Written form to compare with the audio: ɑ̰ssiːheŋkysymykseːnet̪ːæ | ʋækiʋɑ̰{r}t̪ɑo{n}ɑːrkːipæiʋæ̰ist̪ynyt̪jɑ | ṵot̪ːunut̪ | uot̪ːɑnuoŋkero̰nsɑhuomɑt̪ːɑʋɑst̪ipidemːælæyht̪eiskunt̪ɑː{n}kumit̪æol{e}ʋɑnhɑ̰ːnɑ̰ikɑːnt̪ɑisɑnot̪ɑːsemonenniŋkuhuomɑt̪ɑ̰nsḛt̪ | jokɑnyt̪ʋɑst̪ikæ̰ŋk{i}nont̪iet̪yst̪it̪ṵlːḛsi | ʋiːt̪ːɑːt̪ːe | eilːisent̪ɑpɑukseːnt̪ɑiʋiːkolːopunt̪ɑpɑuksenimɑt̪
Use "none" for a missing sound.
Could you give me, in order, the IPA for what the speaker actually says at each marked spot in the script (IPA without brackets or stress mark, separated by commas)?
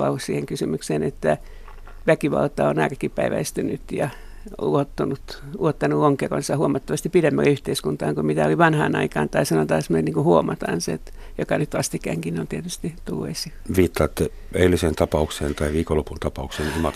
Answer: l, n, ŋ, i, i